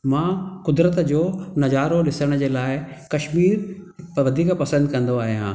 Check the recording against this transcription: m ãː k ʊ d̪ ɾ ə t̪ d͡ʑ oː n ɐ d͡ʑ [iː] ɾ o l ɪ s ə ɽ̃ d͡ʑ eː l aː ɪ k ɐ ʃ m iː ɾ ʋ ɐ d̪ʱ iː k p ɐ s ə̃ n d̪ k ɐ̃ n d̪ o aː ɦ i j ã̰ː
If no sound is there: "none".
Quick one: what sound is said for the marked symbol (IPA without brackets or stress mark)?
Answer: aː